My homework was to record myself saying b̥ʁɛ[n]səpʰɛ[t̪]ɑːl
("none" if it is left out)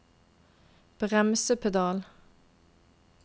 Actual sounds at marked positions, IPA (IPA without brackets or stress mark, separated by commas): m, d̪